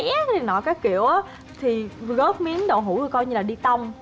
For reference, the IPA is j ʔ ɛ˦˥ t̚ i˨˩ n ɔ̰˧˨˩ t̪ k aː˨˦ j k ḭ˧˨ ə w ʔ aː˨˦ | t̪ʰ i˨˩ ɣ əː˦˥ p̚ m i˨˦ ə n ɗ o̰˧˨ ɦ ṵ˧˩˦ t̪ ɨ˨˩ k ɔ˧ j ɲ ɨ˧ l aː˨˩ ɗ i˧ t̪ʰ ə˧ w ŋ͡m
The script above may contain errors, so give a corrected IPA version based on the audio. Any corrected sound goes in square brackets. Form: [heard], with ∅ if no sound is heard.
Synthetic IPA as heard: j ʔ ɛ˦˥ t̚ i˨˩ n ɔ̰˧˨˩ [∅] k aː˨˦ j k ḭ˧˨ ə w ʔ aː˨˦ | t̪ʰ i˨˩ ɣ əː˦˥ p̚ m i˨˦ ə n ɗ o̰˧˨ ɦ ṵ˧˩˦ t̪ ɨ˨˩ k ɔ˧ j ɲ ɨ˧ l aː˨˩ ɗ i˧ [t̪] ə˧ w ŋ͡m